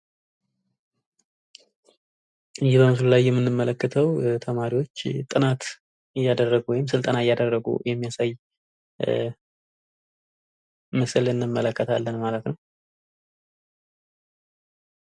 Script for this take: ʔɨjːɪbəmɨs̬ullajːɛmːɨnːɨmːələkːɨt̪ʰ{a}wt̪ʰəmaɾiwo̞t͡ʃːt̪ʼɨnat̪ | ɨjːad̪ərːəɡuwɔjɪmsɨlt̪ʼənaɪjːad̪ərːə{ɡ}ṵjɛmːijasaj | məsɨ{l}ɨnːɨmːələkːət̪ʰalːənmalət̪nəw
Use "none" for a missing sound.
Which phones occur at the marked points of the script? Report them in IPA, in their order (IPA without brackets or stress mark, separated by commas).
ə, ɡ, l